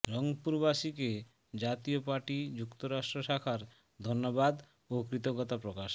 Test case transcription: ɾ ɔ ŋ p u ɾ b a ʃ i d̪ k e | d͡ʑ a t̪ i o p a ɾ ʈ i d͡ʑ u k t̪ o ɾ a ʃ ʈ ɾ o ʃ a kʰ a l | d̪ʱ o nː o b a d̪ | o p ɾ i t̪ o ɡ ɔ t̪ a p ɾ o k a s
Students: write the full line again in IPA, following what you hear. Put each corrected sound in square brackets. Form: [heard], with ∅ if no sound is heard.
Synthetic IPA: ɾ ɔ ŋ p u ɾ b a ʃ i [∅] k e | d͡ʑ a t̪ i o p a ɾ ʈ i d͡ʑ u k t̪ o ɾ a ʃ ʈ ɾ o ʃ a kʰ a [ɾ] | d̪ʱ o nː o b a d̪ | o [k] ɾ i t̪ o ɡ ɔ t̪ a p ɾ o k a [ʃ]